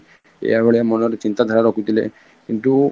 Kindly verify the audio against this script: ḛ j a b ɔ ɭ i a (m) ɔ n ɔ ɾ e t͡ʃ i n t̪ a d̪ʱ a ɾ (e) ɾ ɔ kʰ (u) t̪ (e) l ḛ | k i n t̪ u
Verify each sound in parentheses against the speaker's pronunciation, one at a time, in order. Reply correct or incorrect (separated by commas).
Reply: correct, incorrect, correct, incorrect